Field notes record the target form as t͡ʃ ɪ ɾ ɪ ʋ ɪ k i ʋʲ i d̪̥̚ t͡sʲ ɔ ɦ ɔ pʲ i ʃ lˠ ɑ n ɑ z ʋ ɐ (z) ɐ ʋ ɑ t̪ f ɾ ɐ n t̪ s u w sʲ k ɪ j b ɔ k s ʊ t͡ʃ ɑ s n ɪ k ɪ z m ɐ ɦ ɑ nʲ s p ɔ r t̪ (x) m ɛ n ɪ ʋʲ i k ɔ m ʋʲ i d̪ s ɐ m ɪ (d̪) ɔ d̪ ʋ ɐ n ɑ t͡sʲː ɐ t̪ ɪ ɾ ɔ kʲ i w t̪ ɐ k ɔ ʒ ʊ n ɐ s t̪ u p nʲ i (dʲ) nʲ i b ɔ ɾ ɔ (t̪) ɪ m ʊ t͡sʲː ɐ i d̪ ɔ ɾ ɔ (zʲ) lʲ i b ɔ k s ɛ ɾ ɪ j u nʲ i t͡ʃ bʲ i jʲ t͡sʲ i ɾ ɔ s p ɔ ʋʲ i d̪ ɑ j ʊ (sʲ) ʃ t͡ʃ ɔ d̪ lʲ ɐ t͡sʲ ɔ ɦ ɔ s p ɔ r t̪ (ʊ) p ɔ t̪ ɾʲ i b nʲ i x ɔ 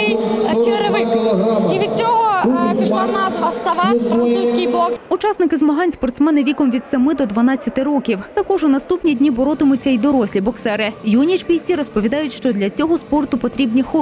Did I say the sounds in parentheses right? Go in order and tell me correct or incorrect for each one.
incorrect: s, incorrect: s, correct, correct, correct, incorrect: sʲ, incorrect: tʲ, correct

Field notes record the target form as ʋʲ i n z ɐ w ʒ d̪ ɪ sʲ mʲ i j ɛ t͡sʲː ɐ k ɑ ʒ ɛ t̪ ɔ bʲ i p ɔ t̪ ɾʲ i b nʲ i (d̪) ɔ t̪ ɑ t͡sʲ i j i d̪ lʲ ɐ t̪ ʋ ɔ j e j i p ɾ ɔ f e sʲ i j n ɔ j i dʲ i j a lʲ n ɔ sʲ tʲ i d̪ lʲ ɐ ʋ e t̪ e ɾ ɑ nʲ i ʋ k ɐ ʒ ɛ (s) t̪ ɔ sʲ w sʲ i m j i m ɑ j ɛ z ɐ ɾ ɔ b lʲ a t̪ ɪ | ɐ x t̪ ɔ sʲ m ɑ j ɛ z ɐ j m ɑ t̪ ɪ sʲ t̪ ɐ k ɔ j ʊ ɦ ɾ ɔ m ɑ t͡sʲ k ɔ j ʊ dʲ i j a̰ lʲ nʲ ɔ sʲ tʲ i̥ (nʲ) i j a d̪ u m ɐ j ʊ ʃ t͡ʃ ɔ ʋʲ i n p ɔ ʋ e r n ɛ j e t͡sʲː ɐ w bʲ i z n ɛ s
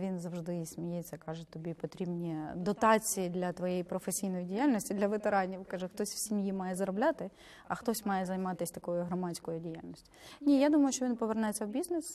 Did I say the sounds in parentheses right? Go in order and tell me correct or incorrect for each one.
correct, incorrect: x, correct

